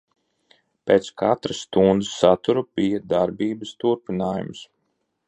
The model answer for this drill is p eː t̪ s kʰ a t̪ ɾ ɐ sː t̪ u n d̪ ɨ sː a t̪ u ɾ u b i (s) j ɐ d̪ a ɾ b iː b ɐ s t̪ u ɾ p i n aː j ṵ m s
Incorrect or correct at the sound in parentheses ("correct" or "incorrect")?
incorrect